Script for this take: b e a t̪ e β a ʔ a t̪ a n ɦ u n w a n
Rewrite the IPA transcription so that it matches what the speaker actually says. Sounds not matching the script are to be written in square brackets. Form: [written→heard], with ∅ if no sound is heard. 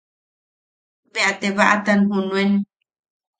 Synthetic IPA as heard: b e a t̪ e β a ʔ a t̪ a n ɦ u n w [a→e] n